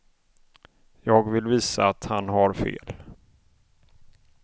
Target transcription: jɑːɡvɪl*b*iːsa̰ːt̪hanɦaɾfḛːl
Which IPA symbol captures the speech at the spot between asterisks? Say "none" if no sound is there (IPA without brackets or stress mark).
v